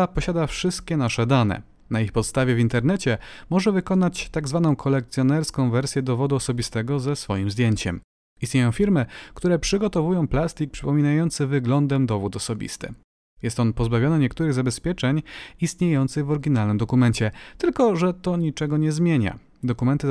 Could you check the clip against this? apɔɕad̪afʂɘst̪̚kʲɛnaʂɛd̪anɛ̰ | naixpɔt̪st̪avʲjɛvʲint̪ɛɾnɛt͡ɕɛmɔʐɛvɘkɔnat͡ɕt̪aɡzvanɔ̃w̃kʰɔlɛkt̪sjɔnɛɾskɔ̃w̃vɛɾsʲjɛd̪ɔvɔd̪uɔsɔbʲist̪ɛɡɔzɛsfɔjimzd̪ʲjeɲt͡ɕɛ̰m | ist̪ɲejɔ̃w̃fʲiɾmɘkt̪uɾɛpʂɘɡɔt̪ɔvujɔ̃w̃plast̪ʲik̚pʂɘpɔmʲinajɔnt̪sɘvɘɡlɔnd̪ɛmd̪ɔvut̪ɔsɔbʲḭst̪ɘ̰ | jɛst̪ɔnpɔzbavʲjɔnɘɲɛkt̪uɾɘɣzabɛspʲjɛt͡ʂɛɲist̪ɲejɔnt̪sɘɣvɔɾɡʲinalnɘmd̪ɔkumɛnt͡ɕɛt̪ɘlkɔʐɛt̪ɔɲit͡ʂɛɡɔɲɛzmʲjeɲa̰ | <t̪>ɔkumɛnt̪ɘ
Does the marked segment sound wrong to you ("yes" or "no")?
yes